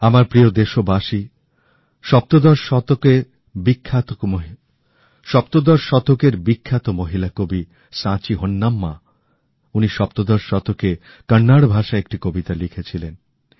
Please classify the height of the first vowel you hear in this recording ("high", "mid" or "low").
low